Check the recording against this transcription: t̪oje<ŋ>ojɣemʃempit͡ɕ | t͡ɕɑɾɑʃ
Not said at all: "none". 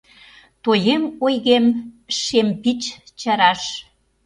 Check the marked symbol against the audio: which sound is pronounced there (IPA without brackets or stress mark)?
m